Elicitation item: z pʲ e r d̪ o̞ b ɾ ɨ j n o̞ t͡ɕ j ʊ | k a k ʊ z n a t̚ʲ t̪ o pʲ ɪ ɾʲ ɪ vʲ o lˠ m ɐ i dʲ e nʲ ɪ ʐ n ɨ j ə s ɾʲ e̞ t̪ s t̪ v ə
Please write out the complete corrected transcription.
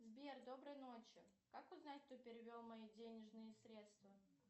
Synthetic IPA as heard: z bʲ e r d̪ o̞ b ɾ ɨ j n o̞ t͡ɕ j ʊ | k a k ʊ z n a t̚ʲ t̪ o pʲ ɪ ɾʲ ɪ vʲ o lˠ m ɐ i dʲ e nʲ ɪ ʐ n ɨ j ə s ɾʲ e̞ t̪ s t̪ v ə